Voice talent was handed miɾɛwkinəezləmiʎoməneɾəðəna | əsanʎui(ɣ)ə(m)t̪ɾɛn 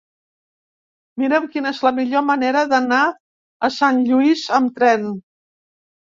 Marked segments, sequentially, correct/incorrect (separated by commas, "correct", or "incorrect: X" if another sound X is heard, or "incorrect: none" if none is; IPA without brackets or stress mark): incorrect: z, correct